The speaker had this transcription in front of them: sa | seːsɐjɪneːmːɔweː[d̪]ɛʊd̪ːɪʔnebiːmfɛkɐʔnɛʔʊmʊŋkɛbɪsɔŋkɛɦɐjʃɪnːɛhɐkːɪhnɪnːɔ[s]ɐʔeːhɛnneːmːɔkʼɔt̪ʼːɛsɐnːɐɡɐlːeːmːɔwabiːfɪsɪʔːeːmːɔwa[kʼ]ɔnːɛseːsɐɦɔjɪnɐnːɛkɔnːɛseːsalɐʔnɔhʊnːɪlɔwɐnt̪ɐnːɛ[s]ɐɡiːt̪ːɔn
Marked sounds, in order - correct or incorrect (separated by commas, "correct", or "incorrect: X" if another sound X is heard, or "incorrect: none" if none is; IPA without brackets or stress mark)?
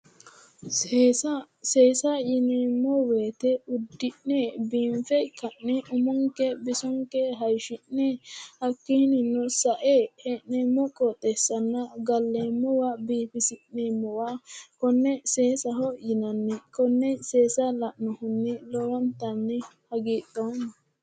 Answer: incorrect: t̪, correct, incorrect: k, incorrect: h